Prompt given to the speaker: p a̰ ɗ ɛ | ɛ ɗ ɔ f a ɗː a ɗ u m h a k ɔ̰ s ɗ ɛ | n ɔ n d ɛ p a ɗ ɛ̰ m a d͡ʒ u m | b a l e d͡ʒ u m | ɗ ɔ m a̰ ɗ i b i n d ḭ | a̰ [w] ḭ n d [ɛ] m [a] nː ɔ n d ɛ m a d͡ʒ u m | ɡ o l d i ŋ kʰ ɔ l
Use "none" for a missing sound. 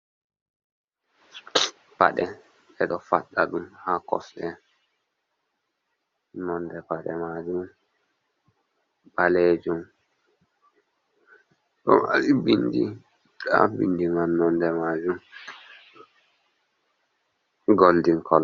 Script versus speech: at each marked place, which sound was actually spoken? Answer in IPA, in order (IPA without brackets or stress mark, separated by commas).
b, i, a